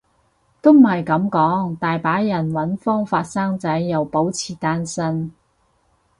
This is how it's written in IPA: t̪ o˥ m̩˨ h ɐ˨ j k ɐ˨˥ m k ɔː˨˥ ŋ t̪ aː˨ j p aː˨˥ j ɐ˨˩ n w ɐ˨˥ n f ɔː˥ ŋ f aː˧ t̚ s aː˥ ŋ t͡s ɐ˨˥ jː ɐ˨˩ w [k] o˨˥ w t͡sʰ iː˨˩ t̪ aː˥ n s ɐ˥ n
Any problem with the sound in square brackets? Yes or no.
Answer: yes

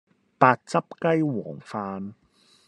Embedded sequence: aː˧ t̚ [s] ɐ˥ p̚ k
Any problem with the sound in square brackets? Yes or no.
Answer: yes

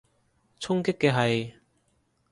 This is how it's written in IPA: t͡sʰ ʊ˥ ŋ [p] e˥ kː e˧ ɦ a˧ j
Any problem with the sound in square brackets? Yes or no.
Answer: yes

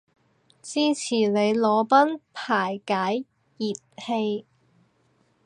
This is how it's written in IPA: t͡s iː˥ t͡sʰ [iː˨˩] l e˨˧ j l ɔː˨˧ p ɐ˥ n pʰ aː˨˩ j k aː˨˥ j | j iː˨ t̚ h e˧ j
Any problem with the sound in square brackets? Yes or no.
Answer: no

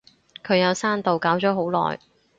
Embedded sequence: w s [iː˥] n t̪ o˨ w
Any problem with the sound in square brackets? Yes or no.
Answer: yes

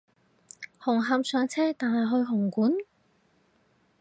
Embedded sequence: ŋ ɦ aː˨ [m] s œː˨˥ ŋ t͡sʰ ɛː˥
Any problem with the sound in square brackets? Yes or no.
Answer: no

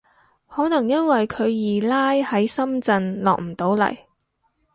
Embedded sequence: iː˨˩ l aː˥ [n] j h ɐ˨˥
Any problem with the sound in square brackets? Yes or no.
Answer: yes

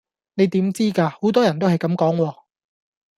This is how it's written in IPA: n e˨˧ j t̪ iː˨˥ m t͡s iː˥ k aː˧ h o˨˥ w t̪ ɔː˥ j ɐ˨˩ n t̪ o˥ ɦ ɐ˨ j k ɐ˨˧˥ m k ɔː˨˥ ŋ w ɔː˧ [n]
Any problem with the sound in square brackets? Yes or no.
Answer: yes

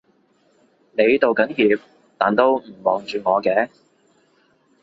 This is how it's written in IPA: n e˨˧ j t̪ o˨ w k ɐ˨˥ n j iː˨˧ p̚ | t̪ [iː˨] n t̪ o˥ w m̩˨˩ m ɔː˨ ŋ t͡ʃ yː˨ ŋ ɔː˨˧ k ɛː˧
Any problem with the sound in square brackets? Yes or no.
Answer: yes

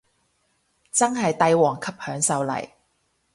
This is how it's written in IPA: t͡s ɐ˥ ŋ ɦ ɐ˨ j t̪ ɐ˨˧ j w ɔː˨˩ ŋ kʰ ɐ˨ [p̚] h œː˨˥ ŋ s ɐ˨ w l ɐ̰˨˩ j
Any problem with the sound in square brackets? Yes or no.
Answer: no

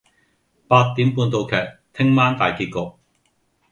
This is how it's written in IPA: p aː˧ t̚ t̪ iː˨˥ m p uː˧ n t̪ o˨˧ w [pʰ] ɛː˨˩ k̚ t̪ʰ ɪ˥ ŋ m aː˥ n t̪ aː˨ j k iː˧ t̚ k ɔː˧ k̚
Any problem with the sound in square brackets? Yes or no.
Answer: yes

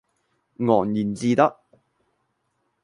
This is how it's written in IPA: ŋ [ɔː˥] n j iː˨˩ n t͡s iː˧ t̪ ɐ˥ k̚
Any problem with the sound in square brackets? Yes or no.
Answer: yes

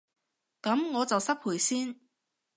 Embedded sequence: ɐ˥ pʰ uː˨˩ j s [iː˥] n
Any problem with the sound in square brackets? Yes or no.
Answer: no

